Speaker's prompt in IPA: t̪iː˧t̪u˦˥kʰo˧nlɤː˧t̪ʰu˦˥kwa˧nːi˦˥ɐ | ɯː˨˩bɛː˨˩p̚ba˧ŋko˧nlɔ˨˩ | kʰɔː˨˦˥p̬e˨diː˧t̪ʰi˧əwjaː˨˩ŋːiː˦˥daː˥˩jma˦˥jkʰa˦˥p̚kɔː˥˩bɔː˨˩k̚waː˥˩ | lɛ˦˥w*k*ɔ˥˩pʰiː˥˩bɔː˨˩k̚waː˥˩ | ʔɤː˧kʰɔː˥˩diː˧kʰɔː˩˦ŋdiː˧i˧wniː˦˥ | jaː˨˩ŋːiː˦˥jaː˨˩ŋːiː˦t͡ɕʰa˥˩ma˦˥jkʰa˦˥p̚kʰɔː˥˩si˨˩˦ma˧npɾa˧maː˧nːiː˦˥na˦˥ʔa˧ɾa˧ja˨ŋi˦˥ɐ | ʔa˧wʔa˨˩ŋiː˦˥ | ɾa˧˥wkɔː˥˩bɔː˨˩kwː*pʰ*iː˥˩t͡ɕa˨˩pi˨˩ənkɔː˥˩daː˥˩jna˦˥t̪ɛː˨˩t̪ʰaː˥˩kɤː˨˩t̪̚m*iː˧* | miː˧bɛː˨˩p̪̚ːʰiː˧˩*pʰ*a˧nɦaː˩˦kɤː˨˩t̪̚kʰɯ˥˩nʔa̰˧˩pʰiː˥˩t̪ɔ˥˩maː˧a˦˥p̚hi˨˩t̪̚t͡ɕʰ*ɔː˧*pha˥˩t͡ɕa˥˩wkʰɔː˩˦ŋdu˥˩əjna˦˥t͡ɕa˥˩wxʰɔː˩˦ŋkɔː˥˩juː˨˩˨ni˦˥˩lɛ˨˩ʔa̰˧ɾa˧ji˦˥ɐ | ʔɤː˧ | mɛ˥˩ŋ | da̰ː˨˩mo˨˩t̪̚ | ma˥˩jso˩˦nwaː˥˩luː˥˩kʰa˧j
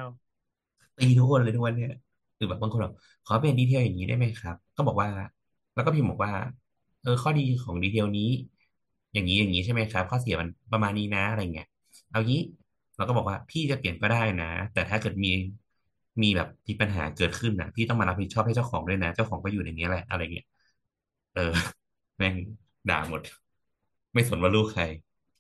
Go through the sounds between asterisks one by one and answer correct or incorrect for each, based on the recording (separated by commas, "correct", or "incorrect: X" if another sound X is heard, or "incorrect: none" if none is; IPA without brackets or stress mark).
correct, correct, correct, incorrect: p, incorrect: ɔː˥˩